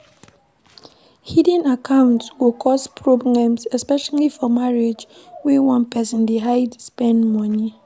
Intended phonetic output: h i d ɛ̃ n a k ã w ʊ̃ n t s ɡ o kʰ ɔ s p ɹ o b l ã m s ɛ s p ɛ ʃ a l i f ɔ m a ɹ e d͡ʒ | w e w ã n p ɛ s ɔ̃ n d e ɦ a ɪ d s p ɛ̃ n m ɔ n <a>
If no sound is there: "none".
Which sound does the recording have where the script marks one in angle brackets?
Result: i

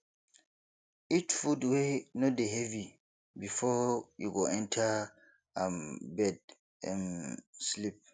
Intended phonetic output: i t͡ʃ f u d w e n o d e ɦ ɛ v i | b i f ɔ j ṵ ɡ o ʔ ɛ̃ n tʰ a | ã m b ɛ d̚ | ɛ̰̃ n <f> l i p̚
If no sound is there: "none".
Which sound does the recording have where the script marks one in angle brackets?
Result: s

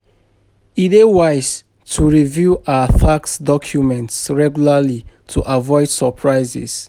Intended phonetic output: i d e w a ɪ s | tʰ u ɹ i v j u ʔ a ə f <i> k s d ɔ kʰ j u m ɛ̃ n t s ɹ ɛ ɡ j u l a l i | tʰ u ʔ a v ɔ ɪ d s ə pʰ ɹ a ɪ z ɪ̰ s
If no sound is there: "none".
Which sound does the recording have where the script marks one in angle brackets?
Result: a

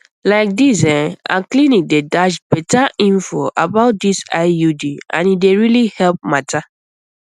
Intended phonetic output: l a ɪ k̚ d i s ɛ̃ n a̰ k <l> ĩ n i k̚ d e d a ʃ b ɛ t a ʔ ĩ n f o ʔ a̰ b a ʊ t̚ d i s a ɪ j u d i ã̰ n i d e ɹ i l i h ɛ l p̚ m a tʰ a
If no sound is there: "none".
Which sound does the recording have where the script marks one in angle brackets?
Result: l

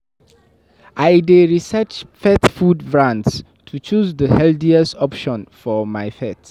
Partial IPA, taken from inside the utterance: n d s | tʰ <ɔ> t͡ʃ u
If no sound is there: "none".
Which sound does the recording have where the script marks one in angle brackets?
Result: u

